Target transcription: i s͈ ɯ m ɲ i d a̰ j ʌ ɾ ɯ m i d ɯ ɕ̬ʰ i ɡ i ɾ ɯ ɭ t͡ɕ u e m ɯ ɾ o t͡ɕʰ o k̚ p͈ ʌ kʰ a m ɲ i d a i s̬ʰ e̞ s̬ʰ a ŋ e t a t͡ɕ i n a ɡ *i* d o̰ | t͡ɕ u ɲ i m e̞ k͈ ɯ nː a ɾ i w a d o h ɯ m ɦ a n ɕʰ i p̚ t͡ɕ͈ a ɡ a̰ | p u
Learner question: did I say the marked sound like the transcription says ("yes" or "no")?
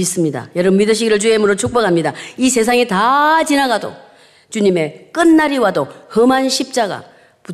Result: no